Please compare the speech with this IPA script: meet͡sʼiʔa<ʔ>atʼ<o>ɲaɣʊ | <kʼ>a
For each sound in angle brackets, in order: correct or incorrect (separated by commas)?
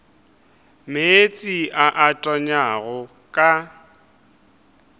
correct, incorrect, correct